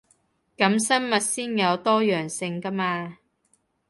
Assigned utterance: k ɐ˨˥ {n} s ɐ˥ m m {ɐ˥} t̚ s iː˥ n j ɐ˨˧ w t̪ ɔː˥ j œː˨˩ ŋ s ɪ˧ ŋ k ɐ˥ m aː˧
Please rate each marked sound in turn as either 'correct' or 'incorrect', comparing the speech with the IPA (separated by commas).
incorrect, incorrect